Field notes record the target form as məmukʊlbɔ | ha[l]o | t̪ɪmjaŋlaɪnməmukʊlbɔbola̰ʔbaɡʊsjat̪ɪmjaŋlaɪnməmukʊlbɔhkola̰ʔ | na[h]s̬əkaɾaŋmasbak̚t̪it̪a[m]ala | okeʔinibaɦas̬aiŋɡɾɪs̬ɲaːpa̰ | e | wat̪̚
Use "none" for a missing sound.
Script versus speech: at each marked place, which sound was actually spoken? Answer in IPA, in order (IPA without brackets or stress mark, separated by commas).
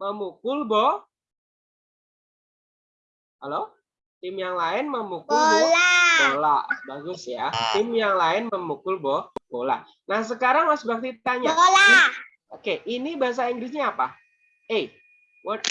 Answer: l, h, ɲ